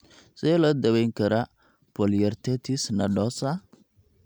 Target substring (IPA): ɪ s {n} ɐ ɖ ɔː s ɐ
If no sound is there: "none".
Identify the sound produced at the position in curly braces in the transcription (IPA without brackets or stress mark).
n